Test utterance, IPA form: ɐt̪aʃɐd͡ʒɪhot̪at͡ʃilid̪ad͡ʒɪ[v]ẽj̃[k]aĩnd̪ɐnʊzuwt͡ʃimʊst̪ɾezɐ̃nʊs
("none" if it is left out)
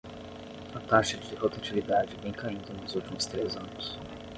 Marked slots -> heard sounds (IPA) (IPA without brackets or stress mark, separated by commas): v, k